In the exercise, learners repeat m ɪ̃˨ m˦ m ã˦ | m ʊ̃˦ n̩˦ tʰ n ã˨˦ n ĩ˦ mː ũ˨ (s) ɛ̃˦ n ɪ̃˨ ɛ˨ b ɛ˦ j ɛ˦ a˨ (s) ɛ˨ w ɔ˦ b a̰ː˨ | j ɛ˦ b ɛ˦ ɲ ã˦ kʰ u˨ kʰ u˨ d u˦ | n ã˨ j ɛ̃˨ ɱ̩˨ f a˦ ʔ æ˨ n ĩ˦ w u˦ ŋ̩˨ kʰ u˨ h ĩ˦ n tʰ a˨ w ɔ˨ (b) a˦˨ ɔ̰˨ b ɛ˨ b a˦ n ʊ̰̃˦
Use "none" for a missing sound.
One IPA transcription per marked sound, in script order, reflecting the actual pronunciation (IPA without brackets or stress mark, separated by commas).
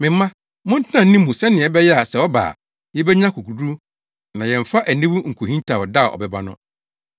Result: s, s, d